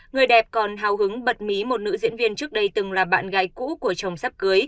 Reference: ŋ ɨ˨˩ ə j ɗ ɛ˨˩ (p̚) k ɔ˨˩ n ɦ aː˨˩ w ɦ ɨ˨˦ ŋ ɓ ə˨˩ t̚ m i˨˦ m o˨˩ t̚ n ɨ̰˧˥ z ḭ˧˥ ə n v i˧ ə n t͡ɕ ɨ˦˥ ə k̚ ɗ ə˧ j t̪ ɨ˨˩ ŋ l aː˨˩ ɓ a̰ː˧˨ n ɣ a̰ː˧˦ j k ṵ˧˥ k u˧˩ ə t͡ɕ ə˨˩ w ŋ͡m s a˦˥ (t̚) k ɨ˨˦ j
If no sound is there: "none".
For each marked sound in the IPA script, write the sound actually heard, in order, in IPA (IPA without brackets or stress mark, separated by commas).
p̚, p̚